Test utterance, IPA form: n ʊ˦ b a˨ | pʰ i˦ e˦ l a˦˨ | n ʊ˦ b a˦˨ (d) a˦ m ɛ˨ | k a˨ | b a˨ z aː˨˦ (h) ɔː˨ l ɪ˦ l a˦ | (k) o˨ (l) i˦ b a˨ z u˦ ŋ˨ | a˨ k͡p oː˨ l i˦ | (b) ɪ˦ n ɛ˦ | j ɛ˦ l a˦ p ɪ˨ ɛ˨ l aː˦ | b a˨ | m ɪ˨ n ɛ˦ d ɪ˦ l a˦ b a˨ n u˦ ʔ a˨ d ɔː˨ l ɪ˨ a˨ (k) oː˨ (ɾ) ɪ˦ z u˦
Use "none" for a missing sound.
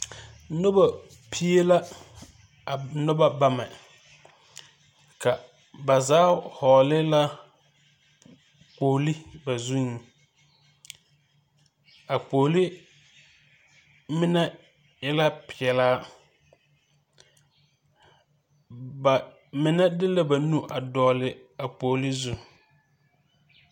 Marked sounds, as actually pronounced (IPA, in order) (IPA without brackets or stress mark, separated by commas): b, h, k͡p, l, m, k͡p, l